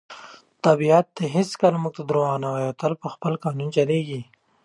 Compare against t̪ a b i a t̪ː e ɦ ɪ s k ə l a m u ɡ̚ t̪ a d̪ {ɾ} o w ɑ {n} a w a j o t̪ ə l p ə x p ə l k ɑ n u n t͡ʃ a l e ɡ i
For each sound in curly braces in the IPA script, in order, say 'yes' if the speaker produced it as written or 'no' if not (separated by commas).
yes, yes